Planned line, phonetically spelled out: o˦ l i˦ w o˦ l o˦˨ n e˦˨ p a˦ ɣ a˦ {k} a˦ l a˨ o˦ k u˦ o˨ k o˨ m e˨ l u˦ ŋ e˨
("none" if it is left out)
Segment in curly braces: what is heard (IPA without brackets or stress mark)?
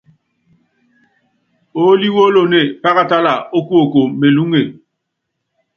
t